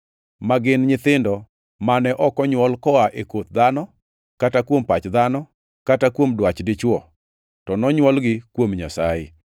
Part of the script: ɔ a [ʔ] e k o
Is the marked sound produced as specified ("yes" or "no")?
yes